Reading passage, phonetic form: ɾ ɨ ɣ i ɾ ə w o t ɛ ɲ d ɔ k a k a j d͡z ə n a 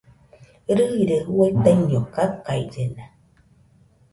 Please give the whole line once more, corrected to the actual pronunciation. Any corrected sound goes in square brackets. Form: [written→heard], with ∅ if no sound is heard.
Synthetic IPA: ɾ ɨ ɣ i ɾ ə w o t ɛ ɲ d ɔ k a k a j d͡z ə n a

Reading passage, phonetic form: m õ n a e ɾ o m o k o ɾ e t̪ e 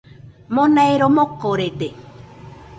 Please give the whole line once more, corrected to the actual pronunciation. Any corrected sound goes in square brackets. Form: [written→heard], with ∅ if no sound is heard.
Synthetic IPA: m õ n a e ɾ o m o k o ɾ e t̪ e

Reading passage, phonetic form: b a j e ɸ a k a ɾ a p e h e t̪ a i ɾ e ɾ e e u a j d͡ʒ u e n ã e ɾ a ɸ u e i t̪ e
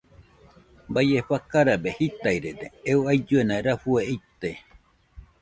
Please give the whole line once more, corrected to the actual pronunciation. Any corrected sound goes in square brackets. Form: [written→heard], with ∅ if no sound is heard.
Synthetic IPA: b a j e ɸ a k a ɾ a [p→b] e h [e→i] t̪ a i ɾ e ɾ e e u a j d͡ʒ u e n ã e ɾ a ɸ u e i t̪ e

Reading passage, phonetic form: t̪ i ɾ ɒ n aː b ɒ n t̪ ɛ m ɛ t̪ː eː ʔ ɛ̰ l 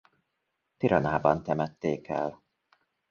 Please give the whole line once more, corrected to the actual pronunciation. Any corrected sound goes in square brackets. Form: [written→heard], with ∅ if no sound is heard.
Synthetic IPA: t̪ i ɾ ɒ n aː b ɒ n t̪ ɛ m ɛ t̪ː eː [ʔ→k] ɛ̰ l

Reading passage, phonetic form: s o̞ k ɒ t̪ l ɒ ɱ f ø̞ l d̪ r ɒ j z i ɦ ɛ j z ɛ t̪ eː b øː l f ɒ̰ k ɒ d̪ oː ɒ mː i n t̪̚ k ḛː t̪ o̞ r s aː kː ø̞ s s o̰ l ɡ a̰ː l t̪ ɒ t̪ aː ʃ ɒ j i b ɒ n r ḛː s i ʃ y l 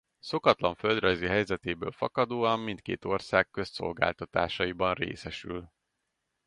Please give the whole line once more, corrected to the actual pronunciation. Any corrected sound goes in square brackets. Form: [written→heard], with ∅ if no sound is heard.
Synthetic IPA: s o̞ k ɒ t̪ l ɒ ɱ f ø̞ l d̪ r ɒ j z i ɦ ɛ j z ɛ t̪ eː b øː l f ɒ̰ k ɒ d̪ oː ɒ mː i n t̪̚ k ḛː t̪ o̞ r s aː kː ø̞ s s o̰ l ɡ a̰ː l t̪ ɒ t̪ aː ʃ ɒ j i b ɒ n r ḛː s [i→ɛ] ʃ y l

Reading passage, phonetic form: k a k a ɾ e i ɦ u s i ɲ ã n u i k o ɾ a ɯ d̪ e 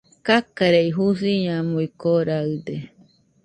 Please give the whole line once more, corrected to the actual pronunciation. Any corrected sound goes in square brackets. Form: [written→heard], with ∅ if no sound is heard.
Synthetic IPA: k a k a ɾ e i ɦ u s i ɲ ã [n→m] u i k o ɾ a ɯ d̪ e

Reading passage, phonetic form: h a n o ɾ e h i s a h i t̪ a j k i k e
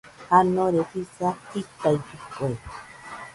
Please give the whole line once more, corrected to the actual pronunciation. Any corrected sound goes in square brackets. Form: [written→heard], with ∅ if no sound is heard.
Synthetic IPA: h a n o ɾ e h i s a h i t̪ a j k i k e

